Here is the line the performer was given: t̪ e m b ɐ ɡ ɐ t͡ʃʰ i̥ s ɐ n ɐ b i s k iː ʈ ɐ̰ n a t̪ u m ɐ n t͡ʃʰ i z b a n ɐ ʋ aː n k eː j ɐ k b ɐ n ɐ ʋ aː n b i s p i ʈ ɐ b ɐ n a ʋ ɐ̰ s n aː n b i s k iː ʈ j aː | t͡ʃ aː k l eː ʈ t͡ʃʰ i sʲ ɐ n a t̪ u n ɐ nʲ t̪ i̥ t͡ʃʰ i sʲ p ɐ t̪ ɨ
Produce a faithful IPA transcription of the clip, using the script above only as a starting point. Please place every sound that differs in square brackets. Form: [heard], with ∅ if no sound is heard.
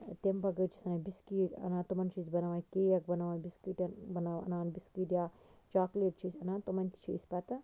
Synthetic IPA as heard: t̪ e m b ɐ ɡ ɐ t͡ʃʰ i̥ s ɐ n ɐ b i s k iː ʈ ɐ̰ n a t̪ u m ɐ n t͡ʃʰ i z b [ɐ] n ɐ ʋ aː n k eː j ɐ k b ɐ n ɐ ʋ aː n b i s [k] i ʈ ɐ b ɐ n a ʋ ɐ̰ [∅] n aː n b i s k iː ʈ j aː | t͡ʃ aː k l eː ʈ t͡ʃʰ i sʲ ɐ n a t̪ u [m] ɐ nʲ t̪ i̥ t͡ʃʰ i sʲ p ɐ t̪ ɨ